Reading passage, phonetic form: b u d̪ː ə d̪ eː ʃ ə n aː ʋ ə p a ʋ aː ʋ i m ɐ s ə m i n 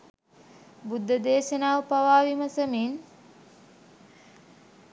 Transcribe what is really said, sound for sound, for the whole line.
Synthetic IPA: b u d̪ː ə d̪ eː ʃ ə n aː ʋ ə p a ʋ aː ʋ i m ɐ s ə m i n